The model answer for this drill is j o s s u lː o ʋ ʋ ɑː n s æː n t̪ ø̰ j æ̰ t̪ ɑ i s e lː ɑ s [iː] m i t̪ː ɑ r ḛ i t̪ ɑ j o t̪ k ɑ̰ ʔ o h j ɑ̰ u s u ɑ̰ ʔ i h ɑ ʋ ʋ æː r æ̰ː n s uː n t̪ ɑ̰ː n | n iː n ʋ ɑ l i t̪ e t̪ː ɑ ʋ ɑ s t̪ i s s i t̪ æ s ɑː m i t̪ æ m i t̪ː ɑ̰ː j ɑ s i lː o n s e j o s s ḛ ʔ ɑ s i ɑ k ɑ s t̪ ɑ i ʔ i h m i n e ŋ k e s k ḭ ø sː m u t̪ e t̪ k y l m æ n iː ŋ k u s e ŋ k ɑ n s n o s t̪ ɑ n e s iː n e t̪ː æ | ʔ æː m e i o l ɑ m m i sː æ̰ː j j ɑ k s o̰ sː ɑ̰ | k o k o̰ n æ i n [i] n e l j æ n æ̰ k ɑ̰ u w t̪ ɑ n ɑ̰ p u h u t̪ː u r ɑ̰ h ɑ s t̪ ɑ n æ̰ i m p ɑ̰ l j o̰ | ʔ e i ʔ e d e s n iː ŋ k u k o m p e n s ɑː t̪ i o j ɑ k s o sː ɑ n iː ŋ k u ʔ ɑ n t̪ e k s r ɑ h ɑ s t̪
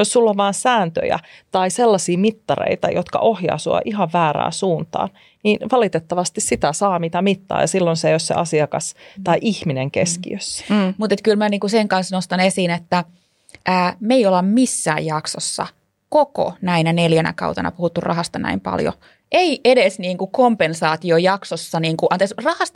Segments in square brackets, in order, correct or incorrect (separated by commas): correct, incorrect